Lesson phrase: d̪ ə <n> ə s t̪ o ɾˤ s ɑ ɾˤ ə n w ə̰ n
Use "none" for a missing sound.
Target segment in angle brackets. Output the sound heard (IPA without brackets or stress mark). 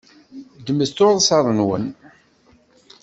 m